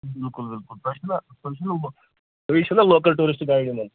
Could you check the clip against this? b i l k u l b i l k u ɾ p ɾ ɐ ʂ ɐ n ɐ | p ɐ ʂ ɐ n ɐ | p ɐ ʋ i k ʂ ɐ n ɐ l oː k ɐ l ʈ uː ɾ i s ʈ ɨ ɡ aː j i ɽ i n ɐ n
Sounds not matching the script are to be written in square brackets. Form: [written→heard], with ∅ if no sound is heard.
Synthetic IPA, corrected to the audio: b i l k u l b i l k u [ɾ→l] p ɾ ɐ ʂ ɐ n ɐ | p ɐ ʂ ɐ n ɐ | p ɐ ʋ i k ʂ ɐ n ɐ l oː k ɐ l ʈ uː ɾ i s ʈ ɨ ɡ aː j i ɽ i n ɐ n